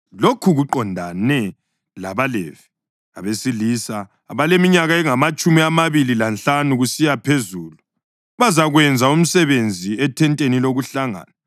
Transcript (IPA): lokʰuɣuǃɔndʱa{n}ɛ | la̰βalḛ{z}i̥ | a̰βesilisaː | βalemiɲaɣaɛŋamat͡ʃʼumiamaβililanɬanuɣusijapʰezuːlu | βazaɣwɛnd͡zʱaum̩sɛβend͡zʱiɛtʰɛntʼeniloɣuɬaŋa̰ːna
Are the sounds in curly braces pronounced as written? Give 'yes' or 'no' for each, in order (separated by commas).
yes, no